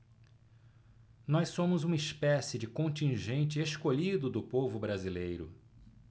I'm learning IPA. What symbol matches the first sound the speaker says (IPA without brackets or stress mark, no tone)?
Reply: n